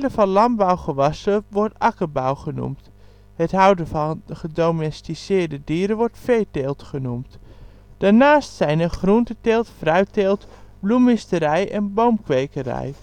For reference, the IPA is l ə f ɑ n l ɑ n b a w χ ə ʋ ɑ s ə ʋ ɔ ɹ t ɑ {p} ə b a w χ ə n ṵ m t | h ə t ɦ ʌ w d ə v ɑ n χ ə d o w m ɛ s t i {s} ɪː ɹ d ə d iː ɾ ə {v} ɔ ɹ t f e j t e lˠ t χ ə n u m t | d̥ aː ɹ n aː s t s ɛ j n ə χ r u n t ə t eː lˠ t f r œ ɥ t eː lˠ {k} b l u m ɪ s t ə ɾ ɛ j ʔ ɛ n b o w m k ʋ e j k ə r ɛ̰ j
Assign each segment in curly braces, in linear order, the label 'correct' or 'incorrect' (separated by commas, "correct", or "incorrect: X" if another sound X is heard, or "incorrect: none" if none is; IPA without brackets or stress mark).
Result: incorrect: k, correct, incorrect: ʋ, incorrect: t